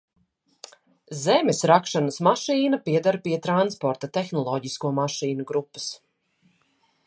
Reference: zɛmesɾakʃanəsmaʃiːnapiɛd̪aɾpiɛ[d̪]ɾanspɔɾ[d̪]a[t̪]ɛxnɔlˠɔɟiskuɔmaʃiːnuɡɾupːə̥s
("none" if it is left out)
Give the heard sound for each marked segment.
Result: t̪, t̪, t̪

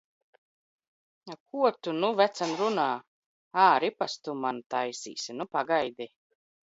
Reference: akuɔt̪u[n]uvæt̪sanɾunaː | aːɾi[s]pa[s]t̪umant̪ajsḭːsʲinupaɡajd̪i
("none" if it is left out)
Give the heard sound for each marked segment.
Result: n, none, s

